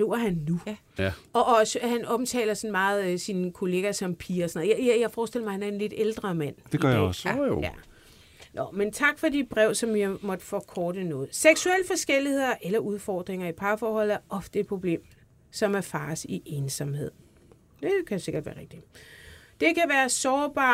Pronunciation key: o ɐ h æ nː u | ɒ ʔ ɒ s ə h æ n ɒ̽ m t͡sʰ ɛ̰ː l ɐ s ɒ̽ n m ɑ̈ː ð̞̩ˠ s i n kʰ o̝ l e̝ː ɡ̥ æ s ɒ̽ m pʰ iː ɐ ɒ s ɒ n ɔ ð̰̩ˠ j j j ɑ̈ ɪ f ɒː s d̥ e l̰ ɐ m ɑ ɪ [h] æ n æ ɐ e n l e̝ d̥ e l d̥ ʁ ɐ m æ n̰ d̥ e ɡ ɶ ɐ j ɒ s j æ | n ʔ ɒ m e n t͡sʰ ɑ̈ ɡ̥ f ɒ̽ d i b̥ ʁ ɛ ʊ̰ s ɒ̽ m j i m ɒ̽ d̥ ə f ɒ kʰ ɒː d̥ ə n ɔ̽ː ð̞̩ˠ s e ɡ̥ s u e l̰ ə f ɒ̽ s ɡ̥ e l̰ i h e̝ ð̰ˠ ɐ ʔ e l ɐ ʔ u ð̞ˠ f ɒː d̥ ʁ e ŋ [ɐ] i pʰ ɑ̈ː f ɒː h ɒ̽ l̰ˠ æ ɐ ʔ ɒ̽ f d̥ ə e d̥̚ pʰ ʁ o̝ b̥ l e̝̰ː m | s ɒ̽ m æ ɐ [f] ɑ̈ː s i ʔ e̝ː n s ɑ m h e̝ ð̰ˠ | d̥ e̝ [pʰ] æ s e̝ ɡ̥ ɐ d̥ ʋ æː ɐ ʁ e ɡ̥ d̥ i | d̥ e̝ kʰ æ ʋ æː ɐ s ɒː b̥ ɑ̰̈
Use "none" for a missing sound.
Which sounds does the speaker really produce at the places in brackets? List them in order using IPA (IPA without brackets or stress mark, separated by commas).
h, ɐ, f, kʰ